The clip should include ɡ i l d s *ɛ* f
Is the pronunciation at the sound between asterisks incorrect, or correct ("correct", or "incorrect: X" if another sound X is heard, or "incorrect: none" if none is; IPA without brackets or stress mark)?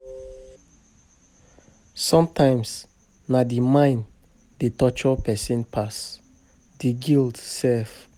correct